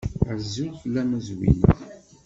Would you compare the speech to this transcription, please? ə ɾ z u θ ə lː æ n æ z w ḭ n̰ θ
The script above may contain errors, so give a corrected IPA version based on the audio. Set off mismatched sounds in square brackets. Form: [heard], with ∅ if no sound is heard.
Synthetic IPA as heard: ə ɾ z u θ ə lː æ [m] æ z w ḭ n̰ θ